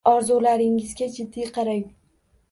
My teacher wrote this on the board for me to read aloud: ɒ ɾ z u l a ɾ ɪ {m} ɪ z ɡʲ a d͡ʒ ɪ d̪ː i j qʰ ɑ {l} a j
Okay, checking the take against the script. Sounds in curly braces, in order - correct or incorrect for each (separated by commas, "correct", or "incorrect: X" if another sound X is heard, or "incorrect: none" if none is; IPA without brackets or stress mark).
incorrect: ŋ, incorrect: ɾ